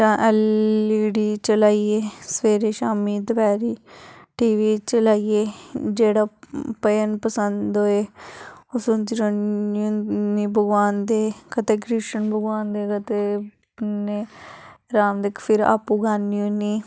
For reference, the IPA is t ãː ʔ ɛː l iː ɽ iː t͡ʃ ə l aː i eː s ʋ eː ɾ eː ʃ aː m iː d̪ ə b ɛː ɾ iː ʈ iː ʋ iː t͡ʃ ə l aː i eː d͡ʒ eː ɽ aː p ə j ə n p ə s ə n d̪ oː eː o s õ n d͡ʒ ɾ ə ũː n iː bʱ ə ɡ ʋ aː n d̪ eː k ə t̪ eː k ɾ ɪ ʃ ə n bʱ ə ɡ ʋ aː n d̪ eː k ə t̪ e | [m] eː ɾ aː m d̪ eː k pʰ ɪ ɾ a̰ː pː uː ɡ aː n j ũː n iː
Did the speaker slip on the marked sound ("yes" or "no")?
yes